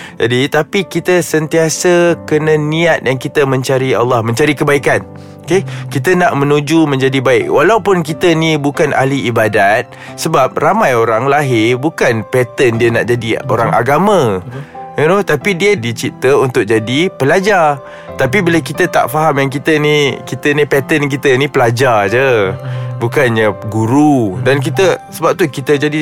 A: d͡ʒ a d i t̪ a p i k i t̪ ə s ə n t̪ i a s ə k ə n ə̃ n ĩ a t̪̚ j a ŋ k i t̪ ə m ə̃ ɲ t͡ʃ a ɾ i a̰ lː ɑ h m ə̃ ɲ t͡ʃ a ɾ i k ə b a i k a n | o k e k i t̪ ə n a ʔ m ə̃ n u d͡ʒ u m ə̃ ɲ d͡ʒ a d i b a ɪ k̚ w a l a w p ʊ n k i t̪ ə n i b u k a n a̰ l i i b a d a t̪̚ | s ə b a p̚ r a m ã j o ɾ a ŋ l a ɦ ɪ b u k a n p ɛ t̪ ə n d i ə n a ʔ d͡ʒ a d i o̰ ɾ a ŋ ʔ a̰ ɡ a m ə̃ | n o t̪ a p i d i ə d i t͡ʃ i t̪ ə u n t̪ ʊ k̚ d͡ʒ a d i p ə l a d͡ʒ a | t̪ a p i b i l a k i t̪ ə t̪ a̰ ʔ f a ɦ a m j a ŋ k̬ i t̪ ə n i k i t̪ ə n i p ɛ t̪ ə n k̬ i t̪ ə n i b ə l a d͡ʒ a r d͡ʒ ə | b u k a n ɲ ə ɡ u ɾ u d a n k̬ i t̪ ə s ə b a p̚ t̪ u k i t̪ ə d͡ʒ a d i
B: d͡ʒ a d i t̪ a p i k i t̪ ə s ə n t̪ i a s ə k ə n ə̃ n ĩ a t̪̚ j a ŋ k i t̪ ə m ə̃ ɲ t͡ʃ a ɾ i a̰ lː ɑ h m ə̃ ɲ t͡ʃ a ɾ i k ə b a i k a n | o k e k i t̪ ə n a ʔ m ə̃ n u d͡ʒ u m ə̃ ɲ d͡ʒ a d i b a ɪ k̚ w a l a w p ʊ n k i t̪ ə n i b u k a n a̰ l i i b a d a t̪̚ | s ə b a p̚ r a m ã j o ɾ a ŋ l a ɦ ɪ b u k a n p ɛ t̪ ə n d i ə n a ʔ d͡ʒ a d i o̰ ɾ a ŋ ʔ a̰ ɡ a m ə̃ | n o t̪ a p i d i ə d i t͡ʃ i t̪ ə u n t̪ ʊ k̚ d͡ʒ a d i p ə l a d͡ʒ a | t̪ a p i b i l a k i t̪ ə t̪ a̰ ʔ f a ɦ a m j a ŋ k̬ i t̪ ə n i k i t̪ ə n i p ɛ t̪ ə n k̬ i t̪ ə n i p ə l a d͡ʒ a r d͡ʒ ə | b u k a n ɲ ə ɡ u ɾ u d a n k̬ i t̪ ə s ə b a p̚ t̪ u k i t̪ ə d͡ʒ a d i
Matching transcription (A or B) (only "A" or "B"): B